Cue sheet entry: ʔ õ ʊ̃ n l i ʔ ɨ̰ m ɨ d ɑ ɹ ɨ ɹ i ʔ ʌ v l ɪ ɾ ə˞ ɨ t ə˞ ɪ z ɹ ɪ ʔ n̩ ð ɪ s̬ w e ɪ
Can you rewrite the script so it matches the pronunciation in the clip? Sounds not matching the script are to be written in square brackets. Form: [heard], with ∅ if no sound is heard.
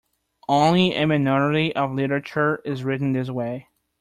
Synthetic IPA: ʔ õ ʊ̃ n l i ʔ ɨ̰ m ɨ [n] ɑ ɹ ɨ [ɾ] i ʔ ʌ v l ɪ ɾ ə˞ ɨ [t͡ʃ] ə˞ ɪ z ɹ ɪ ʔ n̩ ð ɪ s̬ w e ɪ